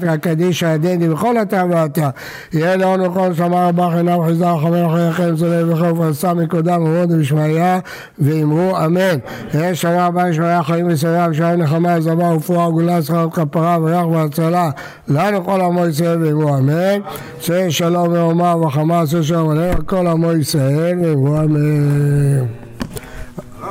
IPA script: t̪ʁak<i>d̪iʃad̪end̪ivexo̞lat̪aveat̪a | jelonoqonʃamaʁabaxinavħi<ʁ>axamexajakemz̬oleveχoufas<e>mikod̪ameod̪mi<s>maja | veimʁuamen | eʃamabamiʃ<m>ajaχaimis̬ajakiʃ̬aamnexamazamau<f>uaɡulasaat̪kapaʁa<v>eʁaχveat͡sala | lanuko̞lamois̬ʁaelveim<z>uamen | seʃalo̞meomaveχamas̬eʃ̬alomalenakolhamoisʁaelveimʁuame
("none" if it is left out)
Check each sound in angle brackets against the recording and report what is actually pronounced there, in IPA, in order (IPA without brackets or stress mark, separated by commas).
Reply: a, z, a, ʃ, m, f, v, ʁ